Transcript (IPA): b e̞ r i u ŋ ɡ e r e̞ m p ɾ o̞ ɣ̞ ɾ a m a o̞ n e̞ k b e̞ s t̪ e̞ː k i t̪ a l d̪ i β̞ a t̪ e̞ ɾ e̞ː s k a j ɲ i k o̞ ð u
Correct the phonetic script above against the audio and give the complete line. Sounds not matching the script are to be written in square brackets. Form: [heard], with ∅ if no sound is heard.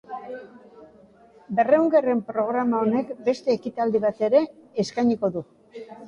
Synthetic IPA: b e̞ r [e] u ŋ ɡ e r e̞ m p ɾ o̞ ɣ̞ ɾ a m a o̞ n e̞ k b e̞ s t̪ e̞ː k i t̪ a l d̪ i β̞ a t̪ e̞ ɾ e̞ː s k a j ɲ i k o̞ ð u